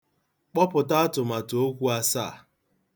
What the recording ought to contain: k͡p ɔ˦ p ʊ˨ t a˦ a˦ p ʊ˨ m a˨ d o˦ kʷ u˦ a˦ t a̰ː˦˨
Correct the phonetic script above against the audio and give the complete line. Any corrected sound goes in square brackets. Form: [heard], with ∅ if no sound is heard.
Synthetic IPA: k͡p ɔ˦ p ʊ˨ t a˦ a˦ [t] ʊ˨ m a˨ [t] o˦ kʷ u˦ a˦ [s] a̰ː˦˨